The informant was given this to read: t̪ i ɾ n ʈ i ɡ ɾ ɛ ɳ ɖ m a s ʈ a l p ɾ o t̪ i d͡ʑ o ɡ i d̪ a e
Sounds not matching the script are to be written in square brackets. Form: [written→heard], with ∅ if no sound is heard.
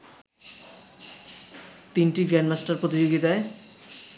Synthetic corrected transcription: t̪ i [ɾ→∅] n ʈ i ɡ ɾ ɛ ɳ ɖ m a s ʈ a [l→ɾ] p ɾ o t̪ i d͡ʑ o ɡ i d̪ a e

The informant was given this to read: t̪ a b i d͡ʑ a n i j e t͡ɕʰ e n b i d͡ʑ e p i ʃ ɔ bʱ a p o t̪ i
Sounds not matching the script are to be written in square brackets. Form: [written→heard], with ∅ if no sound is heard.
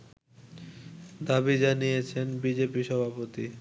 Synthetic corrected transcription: [t̪→d̪] a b i d͡ʑ a n i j e t͡ɕʰ e n b i d͡ʑ e p i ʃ ɔ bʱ a p o t̪ i

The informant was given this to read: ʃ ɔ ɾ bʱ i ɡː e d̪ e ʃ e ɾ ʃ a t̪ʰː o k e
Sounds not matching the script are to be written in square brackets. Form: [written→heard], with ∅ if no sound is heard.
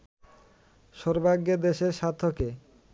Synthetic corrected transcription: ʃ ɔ ɾ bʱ [i→a] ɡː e d̪ e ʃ e ɾ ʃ a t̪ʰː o k e

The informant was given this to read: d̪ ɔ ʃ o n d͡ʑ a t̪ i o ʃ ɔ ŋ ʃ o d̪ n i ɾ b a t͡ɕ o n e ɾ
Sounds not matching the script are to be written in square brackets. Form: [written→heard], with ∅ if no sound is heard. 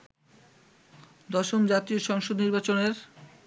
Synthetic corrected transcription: d̪ ɔ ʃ o [n→m] d͡ʑ a t̪ i o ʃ ɔ ŋ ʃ o d̪ n i ɾ b a t͡ɕ o n e ɾ

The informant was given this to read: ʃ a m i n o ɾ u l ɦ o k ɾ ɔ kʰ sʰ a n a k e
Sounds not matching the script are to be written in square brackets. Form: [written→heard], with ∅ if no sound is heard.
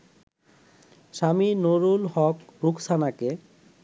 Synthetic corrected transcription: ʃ a m i n o ɾ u l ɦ [o→ɔ] k ɾ [ɔ→u] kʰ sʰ a n a k e

